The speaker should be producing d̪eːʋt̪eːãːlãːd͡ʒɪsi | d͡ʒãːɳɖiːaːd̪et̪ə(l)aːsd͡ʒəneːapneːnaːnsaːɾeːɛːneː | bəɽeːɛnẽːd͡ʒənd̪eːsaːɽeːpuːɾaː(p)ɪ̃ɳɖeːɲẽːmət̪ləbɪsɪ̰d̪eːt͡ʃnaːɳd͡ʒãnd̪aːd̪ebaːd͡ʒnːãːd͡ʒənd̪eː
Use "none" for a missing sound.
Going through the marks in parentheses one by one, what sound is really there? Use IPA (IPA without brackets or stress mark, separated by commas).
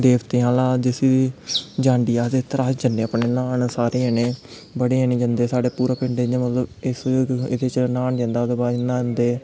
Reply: ɾ, p